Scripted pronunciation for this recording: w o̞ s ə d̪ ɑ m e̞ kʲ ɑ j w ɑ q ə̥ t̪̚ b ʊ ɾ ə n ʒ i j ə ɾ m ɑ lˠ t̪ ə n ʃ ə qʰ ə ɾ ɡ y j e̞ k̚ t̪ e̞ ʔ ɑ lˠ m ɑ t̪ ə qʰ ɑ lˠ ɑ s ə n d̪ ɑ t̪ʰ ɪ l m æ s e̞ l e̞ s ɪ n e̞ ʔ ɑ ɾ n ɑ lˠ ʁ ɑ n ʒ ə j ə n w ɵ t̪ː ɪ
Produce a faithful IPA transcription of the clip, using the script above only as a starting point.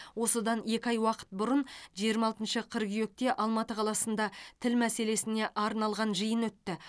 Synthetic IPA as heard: w o̞ s ə d̪ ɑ n e̞ kʲ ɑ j w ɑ q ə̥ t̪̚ b ʊ ɾ ə n ʒ i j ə ɾ m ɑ lˠ t̪ ə n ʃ ə qʰ ə ɾ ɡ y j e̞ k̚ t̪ e̞ ʔ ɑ lˠ m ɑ t̪ ə qʰ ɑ lˠ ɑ s ə n d̪ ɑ t̪ʰ ɪ l m æ s e̞ l e̞ s ɪ n e̞ ʔ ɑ ɾ n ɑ lˠ ʁ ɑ n ʒ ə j ə n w ɵ t̪ː ɪ